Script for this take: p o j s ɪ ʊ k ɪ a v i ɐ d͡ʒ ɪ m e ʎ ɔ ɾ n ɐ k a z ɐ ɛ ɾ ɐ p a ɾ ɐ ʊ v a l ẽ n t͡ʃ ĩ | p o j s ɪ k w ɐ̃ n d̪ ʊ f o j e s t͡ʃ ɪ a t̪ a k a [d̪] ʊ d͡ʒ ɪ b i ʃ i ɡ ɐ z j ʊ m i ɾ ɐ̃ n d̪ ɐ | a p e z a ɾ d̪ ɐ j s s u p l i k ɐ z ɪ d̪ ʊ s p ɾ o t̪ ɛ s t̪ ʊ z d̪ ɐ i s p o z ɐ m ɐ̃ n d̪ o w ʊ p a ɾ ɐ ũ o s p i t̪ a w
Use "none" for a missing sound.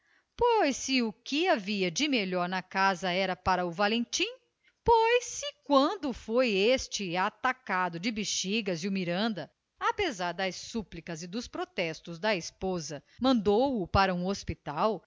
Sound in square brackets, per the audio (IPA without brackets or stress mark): d̪